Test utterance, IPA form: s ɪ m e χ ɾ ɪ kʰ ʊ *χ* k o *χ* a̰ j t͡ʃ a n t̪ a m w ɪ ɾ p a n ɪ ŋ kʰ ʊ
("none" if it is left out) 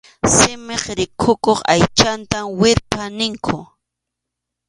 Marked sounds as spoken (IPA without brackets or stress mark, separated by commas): none, χ